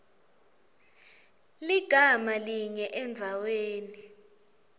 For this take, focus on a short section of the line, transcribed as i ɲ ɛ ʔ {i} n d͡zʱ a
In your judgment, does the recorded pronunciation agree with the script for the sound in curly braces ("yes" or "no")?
no